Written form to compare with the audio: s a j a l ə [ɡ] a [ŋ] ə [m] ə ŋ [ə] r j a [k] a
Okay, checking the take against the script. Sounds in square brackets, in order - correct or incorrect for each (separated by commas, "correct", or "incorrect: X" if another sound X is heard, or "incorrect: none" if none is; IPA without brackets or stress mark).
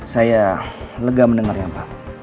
correct, incorrect: m, incorrect: n, incorrect: a, incorrect: p